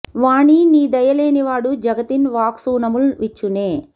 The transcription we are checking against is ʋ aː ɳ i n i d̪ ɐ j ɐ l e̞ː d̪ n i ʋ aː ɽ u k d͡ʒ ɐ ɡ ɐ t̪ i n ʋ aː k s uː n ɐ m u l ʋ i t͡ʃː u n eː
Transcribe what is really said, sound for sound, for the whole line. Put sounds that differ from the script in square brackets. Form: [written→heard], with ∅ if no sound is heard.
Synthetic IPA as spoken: ʋ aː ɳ i n [i→iː] d̪ ɐ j ɐ l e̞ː [d̪→∅] n i ʋ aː ɽ u [k→∅] d͡ʒ ɐ ɡ ɐ t̪ i n ʋ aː k s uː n ɐ m u l ʋ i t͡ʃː u n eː